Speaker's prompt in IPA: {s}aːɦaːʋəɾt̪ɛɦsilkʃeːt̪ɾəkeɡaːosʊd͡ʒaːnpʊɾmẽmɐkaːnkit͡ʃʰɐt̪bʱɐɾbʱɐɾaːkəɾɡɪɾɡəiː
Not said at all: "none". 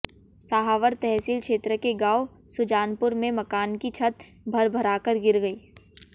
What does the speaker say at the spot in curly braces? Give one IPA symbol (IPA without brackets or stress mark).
s